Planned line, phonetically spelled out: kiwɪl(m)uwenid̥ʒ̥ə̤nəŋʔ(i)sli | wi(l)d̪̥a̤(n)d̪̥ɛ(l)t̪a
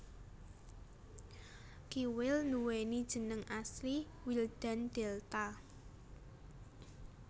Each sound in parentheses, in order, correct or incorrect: incorrect, incorrect, correct, correct, correct

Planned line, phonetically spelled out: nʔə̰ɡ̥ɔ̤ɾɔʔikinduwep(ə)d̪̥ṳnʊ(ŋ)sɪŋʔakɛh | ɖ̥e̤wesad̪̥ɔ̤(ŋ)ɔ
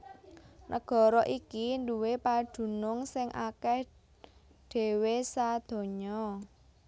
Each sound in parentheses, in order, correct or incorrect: incorrect, correct, incorrect

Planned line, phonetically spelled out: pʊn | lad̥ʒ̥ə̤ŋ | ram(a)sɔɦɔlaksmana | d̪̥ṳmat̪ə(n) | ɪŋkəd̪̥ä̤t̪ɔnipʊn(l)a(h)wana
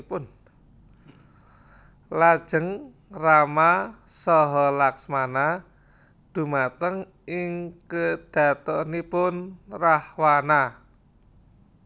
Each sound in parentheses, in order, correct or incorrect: correct, incorrect, incorrect, correct

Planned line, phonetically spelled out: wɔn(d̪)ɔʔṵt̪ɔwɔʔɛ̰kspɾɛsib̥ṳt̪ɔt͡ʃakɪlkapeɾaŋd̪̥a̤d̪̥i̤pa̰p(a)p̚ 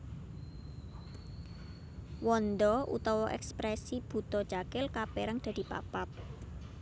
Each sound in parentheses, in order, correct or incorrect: correct, correct

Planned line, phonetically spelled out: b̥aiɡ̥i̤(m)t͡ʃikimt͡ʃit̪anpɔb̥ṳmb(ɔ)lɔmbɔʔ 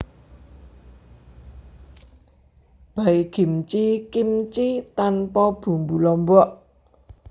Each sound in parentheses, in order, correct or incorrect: correct, incorrect

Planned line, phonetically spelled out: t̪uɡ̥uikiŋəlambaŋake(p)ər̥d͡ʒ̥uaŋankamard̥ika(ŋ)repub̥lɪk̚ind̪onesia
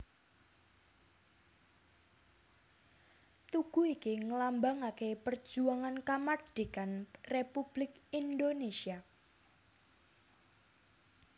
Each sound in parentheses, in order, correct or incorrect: correct, incorrect

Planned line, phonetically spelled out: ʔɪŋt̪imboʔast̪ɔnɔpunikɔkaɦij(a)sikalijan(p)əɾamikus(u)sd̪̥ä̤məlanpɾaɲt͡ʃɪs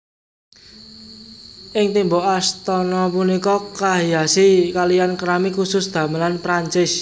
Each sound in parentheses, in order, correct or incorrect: correct, incorrect, incorrect

